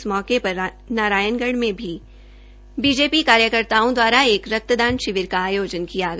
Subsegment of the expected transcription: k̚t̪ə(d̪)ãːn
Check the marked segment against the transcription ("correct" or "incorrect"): correct